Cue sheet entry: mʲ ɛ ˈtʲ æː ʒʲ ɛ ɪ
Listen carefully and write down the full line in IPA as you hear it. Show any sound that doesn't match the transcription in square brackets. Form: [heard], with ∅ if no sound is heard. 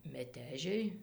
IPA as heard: mʲ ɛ ˈtʲ æː ʒʲ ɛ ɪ